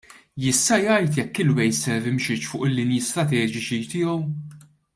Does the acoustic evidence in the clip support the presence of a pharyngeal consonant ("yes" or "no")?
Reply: no